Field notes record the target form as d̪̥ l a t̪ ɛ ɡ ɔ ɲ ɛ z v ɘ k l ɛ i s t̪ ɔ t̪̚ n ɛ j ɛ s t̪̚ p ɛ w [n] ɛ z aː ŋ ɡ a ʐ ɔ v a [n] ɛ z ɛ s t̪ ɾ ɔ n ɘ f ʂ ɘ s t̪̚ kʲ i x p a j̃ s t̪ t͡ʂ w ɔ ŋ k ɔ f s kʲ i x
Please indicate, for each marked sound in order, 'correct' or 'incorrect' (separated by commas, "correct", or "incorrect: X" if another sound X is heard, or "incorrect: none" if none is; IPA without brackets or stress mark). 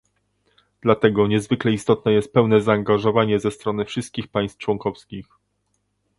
correct, incorrect: ɲ